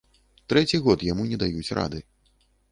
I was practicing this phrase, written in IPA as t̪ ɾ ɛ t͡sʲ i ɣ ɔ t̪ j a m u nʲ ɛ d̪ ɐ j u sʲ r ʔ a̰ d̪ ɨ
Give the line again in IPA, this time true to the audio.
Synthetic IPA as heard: t̪ ɾ ɛ t͡sʲ i ɣ ɔ t̪ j a m u nʲ ɛ d̪ a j u t͡sʲ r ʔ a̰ d̪ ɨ